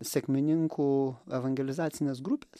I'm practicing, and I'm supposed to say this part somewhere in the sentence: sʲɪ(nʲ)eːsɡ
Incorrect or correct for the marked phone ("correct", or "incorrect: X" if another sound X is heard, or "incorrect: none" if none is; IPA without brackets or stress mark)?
correct